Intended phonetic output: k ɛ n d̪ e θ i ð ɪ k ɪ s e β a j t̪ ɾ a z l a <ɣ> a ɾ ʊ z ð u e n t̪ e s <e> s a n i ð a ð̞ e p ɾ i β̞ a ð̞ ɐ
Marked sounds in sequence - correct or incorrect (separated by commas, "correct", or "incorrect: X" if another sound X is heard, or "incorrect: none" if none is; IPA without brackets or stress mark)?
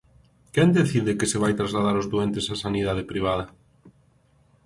incorrect: ð, incorrect: a